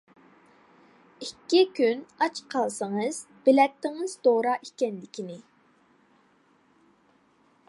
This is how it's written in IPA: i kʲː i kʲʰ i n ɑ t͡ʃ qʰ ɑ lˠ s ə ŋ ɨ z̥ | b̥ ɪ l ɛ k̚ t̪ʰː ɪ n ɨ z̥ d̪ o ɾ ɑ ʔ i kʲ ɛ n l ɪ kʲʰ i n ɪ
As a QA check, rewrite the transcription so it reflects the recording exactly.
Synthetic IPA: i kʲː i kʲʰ y n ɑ t͡ʃ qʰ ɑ lˠ s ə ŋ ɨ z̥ | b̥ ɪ l ɛ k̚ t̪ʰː ɪ ŋ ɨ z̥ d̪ o ɾ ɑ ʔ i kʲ ɛ n l ɪ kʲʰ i n ɪ